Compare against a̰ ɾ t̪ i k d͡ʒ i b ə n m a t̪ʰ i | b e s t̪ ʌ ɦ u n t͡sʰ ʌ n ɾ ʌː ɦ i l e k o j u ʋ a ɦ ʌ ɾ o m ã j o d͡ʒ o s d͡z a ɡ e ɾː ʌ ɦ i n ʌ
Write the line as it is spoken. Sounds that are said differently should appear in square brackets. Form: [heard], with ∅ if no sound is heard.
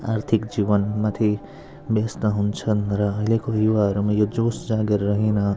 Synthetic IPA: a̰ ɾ [t̪ʰ] i k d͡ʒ i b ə n m a t̪ʰ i | b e s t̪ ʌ ɦ u n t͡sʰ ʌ n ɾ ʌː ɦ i l e k o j u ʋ a ɦ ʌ ɾ [u] m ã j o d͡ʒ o s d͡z a ɡ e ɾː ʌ ɦ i n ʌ